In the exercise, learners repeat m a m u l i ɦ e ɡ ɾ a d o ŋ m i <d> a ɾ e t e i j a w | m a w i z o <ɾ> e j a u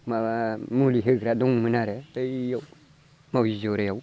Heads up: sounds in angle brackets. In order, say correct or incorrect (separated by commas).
incorrect, correct